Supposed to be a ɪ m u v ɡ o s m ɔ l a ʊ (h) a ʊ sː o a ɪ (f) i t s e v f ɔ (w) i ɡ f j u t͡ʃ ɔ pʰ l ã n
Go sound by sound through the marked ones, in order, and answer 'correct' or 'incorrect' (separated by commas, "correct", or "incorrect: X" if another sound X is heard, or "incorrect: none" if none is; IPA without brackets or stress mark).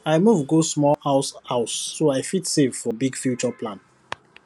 incorrect: s, correct, incorrect: b